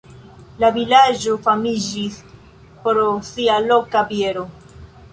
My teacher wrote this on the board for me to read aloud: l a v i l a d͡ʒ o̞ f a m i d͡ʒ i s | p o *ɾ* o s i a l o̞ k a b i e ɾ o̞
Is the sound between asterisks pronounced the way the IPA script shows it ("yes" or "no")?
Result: yes